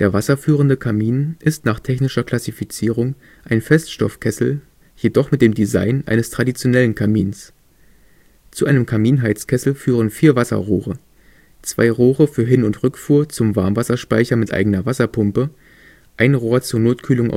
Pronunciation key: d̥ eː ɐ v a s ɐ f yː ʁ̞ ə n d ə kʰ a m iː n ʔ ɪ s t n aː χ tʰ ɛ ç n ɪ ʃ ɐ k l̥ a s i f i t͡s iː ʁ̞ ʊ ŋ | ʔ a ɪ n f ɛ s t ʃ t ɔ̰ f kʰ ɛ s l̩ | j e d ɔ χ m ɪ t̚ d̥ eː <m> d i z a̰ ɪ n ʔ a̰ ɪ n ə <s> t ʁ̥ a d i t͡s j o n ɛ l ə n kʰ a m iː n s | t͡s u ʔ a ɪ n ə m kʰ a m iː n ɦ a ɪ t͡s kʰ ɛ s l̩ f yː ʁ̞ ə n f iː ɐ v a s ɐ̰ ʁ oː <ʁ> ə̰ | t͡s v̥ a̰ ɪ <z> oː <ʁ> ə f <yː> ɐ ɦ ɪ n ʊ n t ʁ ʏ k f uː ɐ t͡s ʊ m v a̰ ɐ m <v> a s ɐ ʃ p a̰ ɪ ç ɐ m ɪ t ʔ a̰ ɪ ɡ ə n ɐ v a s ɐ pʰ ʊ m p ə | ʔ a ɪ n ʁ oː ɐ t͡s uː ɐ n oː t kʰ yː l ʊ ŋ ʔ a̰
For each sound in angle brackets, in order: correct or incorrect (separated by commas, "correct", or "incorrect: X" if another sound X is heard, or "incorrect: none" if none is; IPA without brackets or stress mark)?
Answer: correct, correct, correct, incorrect: ʁ, correct, correct, correct